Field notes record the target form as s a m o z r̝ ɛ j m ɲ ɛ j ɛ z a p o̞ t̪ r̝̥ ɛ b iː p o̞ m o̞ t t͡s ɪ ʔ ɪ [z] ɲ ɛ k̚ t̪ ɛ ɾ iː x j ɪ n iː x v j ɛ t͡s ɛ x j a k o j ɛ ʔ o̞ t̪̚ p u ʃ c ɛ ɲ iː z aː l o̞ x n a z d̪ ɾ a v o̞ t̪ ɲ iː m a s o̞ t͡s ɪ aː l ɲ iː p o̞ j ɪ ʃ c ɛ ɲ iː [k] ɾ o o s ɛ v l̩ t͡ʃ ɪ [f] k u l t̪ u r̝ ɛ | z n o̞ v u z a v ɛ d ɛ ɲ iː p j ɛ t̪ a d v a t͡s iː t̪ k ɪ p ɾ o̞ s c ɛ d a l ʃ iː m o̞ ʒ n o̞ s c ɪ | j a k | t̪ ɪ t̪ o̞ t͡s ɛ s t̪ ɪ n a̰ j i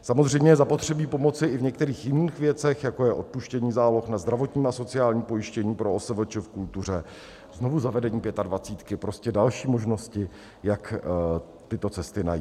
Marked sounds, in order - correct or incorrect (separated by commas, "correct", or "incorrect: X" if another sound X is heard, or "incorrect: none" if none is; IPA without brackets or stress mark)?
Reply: incorrect: v, incorrect: p, correct